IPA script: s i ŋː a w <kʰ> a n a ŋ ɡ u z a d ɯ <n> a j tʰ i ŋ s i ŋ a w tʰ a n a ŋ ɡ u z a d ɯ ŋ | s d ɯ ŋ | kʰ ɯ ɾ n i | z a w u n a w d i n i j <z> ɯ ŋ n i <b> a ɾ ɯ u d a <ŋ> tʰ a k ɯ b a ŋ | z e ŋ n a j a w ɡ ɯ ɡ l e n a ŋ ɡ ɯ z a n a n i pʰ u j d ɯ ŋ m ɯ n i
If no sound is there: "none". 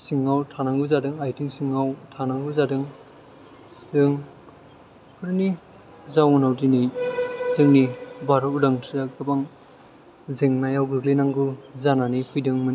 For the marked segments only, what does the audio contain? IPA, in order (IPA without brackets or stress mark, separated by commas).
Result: tʰ, ŋ, z, b, ŋ